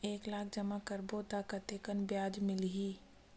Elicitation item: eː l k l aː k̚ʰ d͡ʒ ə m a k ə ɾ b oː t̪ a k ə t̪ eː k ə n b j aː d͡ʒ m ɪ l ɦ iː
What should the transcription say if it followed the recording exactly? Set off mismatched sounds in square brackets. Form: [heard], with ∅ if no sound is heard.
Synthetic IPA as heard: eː [∅] k l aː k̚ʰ d͡ʒ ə m a k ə ɾ b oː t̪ a k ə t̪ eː k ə n b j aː d͡ʒ m ɪ l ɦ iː